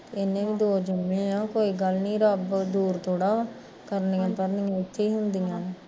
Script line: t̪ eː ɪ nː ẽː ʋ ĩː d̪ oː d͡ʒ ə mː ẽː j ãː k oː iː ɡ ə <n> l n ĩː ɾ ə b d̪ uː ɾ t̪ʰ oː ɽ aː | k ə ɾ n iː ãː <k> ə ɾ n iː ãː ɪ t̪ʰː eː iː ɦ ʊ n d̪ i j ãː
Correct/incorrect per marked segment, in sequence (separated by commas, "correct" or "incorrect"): incorrect, incorrect